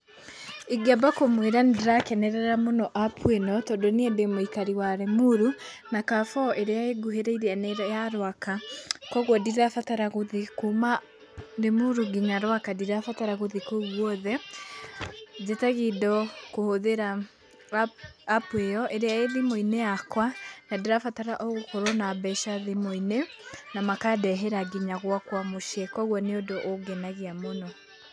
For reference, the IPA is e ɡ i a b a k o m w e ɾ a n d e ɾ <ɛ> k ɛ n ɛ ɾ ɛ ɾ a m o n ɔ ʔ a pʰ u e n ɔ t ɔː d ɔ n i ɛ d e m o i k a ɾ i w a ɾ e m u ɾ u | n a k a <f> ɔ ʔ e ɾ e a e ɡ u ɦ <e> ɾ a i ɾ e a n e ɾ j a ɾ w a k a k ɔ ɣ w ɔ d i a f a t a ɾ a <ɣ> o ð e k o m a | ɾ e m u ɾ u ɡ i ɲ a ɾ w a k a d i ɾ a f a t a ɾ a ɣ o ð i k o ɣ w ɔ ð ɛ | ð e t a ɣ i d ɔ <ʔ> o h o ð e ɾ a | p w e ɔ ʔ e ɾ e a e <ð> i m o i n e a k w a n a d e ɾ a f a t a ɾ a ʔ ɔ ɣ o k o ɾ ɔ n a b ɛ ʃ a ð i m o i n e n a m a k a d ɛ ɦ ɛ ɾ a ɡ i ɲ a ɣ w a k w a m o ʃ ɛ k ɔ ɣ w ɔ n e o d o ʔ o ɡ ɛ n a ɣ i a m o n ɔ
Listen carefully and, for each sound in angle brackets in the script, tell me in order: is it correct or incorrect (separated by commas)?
incorrect, correct, correct, correct, incorrect, correct